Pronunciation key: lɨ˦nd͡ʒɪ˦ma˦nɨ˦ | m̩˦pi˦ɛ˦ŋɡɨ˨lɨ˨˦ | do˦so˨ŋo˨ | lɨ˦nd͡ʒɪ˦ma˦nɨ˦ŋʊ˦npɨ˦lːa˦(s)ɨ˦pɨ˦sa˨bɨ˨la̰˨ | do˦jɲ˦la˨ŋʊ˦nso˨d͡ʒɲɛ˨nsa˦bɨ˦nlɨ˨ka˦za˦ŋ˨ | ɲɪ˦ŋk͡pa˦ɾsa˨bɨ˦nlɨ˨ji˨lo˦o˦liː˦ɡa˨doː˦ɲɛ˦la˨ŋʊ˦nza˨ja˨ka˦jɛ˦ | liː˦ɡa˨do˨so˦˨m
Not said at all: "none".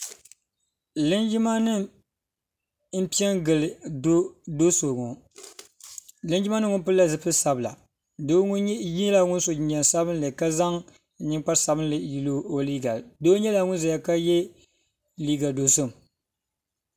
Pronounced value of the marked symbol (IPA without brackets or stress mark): z